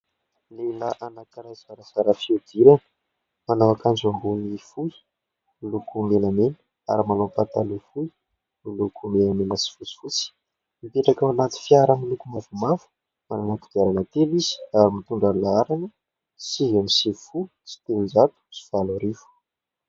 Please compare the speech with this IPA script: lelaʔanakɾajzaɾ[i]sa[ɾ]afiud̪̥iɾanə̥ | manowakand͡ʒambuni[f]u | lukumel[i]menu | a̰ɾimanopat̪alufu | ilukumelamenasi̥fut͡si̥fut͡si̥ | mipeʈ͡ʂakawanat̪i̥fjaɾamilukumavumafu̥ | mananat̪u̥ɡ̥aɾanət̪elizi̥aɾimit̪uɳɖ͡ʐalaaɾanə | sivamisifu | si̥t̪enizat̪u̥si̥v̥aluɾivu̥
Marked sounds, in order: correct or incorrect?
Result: incorrect, correct, correct, incorrect

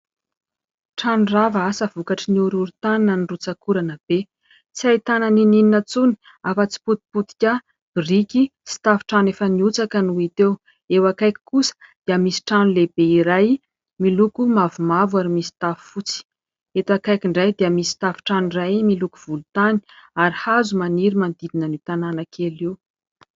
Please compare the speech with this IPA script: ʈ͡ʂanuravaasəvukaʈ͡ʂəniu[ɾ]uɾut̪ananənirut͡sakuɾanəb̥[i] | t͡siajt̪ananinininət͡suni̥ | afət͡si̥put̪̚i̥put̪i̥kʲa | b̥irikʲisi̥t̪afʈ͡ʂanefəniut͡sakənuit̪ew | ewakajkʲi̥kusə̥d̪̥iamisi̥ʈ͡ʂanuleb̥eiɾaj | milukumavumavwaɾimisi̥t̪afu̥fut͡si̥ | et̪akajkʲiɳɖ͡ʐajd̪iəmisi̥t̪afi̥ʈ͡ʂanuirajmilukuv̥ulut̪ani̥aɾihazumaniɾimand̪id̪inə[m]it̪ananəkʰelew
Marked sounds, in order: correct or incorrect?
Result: correct, incorrect, incorrect

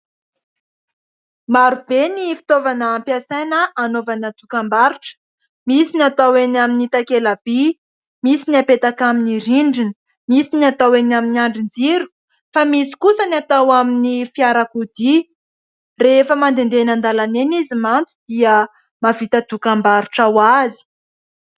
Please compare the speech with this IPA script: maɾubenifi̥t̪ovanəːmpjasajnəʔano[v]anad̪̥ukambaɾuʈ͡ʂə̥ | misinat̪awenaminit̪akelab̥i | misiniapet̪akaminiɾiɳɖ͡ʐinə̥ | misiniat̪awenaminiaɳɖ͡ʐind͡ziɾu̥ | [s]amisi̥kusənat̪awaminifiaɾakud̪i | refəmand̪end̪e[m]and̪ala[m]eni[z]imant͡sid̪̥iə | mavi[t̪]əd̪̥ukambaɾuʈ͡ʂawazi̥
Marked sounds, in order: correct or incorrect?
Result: correct, incorrect, incorrect, incorrect, correct, correct

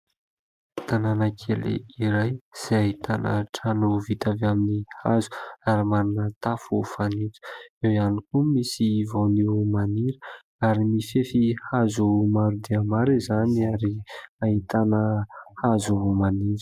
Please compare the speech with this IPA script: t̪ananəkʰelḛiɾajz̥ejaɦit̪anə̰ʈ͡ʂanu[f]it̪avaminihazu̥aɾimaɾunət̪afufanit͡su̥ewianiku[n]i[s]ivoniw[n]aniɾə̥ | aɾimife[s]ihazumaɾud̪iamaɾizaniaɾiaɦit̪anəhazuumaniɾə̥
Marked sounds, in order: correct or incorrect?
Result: incorrect, incorrect, correct, incorrect, incorrect

